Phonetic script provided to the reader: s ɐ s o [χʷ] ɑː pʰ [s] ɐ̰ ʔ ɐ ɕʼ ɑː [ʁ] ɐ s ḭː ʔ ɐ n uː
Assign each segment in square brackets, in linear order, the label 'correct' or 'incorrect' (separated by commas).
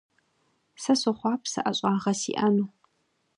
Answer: correct, correct, correct